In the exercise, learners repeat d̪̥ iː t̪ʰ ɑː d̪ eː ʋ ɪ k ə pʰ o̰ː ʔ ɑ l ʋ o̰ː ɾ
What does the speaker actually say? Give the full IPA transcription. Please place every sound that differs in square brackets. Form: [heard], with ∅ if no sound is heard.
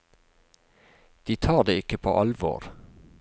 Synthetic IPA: d̪̥ iː t̪ʰ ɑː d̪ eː [∅] ɪ k ə pʰ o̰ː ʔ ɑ l ʋ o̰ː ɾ